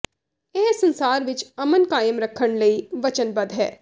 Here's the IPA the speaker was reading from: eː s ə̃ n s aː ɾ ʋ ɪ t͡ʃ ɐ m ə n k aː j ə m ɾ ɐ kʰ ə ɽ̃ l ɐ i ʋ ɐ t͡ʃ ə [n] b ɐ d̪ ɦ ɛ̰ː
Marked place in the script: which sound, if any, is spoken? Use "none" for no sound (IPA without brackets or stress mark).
n